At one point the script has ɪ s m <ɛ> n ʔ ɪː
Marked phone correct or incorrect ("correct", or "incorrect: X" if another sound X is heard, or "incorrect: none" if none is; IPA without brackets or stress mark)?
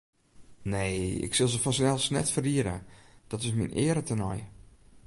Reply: incorrect: i